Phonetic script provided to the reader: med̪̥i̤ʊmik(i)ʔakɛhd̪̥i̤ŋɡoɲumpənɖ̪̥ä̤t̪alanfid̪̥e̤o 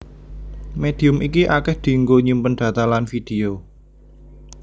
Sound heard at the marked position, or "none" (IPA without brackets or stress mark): i